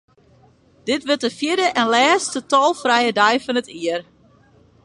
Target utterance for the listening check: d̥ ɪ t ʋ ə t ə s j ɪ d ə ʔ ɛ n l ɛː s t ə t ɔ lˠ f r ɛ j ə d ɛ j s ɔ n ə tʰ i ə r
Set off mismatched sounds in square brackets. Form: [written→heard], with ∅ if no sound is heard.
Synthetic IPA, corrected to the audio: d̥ ɪ t ʋ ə t ə [s→f] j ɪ d ə ʔ ɛ n l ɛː s t ə t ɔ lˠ f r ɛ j ə d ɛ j [s→f] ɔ n ə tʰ i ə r

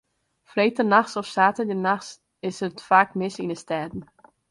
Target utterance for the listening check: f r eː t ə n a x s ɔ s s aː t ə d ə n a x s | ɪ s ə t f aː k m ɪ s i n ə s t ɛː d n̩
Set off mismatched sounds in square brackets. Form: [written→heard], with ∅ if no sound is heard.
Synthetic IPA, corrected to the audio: f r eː t ə n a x s ɔ [s→f] s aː t ə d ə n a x s | ɪ s ə t f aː k m ɪ s i n ə s t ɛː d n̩

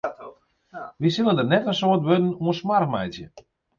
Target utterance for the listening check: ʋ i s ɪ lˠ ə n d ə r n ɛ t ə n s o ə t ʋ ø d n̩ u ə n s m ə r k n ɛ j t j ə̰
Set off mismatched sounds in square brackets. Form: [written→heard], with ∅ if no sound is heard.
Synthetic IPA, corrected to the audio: ʋ i s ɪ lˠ ə n d ə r n ɛ t ə n s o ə t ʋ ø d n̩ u ə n s m [ə→a] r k [n→m] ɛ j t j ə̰

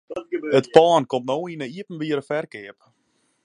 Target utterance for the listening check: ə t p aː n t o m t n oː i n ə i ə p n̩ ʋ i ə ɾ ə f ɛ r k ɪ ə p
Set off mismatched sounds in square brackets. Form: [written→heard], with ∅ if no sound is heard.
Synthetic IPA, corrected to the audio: ə t p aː n [t→k] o m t n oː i n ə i ə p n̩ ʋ i ə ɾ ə f ɛ r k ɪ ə p

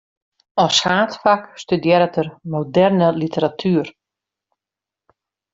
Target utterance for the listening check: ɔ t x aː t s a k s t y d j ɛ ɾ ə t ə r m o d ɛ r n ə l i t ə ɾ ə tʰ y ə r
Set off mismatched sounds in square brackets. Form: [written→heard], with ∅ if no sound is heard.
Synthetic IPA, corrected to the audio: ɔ [t→s] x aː t [s→f] a k s t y d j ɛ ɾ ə t ə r m o d ɛ r n ə l i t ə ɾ [ə→a] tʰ y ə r

